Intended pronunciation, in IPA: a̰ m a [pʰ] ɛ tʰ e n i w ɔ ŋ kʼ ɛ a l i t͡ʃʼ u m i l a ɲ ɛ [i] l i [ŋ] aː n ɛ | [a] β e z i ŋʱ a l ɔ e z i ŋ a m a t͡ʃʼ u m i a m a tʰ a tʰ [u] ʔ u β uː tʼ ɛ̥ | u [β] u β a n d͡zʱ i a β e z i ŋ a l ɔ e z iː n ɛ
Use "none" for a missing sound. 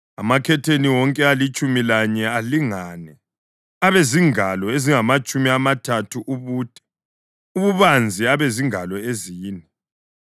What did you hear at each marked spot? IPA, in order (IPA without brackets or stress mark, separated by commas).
kʰ, a, ŋ, a, u, β